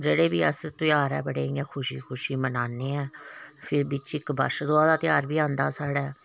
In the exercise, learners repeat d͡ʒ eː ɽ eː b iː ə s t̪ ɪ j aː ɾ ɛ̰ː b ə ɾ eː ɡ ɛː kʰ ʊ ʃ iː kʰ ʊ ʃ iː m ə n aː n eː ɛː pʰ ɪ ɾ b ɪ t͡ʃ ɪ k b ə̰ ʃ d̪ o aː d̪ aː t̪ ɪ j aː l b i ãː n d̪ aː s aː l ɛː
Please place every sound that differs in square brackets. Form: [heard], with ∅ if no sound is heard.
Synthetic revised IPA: d͡ʒ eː ɽ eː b iː ə s t̪ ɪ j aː ɾ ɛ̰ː b ə [ɽ] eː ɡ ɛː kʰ ʊ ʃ iː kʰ ʊ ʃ iː m ə n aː n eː ɛː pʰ ɪ ɾ b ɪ t͡ʃ ɪ k b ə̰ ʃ d̪ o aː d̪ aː t̪ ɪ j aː [ɾ] b [iː] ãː n d̪ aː s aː [ɽ] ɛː